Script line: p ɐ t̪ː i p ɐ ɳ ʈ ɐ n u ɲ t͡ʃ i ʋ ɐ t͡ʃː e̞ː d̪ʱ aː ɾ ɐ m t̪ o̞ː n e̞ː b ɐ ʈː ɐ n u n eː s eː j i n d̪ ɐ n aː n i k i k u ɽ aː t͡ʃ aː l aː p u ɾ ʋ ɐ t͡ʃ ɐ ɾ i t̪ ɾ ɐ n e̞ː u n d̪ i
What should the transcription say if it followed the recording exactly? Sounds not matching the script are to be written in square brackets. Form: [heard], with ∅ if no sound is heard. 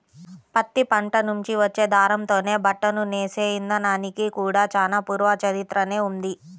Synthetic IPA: p ɐ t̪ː i p ɐ ɳ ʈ ɐ n u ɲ t͡ʃ i ʋ ɐ t͡ʃː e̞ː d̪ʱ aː ɾ ɐ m t̪ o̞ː n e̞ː b ɐ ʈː ɐ n u n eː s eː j i n d̪ ɐ n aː n i k i k [uː] ɽ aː t͡ʃ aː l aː p [uː] ɾ ʋ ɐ t͡ʃ ɐ ɾ i t̪ ɾ ɐ n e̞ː u n d̪ i